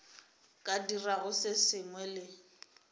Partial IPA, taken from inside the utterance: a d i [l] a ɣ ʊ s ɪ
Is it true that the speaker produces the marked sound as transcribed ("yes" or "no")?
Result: no